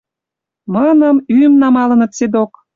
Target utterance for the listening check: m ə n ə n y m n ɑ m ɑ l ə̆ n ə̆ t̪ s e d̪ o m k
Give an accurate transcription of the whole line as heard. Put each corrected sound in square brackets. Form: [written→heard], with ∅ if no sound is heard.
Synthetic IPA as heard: m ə n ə [n→m] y m n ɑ m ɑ l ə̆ n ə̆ t̪ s e d̪ o [m→∅] k

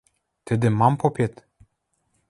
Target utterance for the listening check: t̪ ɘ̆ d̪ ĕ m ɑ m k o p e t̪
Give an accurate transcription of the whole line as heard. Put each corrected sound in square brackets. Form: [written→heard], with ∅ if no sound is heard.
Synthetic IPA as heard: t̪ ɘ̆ d̪ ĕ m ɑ m [k→p] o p e t̪

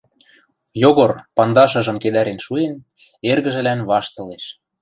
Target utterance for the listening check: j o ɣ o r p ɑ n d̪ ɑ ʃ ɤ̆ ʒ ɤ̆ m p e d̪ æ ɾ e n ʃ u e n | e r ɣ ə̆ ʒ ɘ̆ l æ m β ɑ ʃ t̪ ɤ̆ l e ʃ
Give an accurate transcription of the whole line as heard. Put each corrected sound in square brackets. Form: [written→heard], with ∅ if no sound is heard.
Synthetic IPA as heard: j o ɣ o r p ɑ n d̪ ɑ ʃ ɤ̆ ʒ ɤ̆ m [p→k] e d̪ æ ɾ e n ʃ u e n | e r ɣ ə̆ ʒ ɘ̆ l æ [m→n] β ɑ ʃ t̪ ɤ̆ l e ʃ

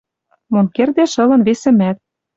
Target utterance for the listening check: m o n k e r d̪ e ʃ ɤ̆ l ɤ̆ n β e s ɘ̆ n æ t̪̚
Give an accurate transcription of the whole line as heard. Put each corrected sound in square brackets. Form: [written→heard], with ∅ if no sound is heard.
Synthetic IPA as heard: m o n k e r d̪ e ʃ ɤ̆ l ɤ̆ n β e s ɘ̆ [n→m] æ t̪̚

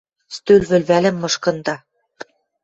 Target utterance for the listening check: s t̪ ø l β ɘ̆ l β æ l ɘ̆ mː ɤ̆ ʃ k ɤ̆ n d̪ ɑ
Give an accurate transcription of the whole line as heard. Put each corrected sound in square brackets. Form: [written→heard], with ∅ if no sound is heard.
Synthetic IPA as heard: s t̪ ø l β ɘ̆ l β æ l ɘ̆ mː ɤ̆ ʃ k ɤ̆ n d̪ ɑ

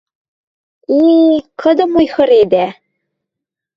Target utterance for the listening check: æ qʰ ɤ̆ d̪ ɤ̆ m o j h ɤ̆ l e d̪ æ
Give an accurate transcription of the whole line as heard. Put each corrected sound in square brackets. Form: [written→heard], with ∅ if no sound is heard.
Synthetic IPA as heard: [æ→i] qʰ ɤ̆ d̪ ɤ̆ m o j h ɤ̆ [l→ɾ] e d̪ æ

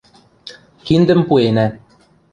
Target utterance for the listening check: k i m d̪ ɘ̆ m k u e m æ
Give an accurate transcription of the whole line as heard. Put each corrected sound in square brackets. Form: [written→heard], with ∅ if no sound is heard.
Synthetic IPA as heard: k i [m→n] d̪ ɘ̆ m [k→p] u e [m→n] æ

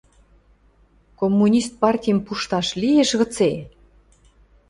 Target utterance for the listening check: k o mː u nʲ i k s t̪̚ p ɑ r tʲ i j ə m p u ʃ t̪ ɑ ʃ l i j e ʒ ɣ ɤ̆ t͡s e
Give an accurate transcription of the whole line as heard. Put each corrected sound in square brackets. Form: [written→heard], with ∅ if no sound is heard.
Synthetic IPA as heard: k o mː u nʲ i [k→∅] s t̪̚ p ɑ r tʲ i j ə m p u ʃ t̪ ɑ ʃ l i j e [ʒ→ʃ] ɣ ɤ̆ t͡s e

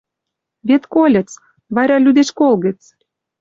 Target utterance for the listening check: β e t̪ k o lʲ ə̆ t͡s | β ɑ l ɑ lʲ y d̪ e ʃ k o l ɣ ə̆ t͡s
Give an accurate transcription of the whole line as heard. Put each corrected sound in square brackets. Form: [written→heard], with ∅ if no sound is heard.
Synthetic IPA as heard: β e t̪ k o lʲ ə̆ t͡s | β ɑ [l→ɾ] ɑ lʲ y d̪ e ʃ k o l ɣ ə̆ t͡s

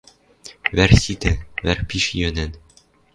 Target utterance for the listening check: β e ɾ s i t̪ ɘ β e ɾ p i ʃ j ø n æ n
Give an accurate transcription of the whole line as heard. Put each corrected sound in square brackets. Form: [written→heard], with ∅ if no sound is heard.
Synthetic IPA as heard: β [e→æ] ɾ s i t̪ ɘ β [e→æ] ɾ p i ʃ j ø n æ n

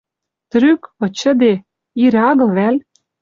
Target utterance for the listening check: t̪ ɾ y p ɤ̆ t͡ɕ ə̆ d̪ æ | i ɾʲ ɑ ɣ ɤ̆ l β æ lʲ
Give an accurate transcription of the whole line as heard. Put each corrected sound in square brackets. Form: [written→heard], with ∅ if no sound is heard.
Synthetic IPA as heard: t̪ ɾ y [p→k] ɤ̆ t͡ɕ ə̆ d̪ [æ→e] | i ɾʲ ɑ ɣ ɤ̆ l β æ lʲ

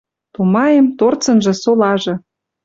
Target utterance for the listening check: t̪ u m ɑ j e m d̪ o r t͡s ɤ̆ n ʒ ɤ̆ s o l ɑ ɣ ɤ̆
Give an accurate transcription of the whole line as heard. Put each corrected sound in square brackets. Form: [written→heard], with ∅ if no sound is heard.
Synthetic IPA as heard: t̪ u m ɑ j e m [d̪→t̪] o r t͡s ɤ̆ n ʒ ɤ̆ s o l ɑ [ɣ→ʒ] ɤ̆

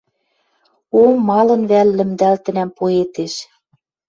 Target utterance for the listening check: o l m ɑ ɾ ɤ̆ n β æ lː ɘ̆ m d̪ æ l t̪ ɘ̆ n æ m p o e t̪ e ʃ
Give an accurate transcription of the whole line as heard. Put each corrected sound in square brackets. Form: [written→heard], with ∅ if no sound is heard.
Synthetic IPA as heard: o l m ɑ [ɾ→l] ɤ̆ n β æ lː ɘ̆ m d̪ æ l t̪ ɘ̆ n æ m p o e t̪ e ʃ

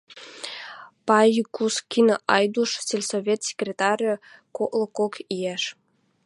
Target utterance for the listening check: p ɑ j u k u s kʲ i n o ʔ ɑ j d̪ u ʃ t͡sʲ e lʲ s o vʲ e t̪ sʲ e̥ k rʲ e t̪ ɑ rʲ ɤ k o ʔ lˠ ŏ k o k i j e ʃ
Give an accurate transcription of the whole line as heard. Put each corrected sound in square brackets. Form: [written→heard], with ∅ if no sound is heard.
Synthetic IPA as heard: p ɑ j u k u s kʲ i n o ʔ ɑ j d̪ u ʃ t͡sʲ e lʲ s o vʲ e t̪ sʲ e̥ k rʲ e t̪ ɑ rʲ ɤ k o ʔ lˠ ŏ k o k i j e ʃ

